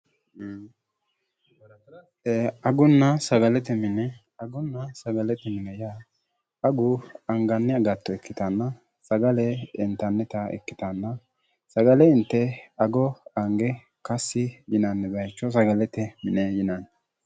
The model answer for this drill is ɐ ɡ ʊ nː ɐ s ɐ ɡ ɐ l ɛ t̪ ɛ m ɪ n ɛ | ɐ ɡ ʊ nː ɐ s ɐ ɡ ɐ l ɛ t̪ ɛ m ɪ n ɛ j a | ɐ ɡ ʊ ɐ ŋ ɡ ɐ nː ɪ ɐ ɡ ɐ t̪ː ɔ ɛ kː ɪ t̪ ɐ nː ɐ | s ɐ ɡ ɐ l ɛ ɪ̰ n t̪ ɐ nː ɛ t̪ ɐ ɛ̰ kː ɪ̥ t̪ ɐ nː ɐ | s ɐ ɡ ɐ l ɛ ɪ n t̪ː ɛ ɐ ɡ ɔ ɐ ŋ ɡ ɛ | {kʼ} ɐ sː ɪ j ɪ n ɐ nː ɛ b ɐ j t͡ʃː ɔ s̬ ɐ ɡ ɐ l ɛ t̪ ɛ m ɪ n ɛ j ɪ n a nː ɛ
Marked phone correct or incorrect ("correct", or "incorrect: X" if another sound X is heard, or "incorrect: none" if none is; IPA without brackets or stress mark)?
incorrect: k